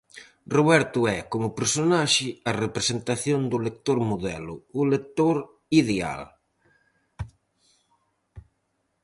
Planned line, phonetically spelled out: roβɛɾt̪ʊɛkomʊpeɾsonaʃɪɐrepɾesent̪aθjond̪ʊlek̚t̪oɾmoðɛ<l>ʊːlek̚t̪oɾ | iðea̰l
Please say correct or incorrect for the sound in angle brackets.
correct